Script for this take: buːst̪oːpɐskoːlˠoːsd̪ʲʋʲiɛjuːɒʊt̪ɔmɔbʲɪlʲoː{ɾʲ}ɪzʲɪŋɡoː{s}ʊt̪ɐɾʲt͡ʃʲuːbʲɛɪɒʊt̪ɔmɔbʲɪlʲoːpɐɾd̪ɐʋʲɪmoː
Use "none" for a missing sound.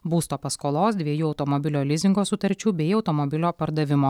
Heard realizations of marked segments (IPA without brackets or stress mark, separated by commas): lʲ, s